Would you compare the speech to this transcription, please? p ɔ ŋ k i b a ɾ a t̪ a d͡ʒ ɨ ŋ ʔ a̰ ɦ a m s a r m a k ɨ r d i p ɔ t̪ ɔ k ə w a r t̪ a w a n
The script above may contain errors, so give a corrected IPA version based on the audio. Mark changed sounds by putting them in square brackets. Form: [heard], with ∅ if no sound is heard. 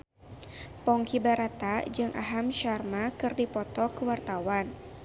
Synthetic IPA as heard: p ɔ ŋ k i b a ɾ a t̪ a d͡ʒ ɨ ŋ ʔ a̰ ɦ a m [ʃ] a r m a k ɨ r d i p ɔ t̪ ɔ k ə w a r t̪ a w a n